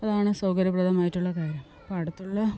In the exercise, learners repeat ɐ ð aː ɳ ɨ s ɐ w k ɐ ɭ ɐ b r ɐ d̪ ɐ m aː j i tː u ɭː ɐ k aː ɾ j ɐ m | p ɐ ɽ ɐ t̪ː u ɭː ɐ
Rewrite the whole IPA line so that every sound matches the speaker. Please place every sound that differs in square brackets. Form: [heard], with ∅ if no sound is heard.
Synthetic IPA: ɐ ð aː ɳ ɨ s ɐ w k ɐ [ɾ] ɐ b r ɐ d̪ ɐ m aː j i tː u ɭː ɐ k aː ɾ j ɐ m | p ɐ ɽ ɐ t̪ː u ɭː ɐ